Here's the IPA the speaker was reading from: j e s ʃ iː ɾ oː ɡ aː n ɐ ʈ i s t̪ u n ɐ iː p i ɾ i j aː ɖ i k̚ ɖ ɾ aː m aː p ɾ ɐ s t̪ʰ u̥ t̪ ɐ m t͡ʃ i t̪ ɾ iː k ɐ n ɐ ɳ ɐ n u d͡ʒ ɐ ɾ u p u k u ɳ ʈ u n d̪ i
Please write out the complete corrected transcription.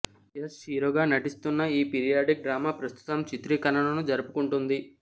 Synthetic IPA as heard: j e s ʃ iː ɾ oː ɡ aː n ɐ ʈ i s t̪ u nː ɐ iː p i ɾ i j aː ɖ i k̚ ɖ ɾ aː m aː p ɾ ɐ s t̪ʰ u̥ t̪ ɐ m t͡ʃ i t̪ ɾ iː k ɐ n ɐ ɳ ɐ n u d͡ʒ ɐ ɾ u p u k u ɳ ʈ u n d̪ i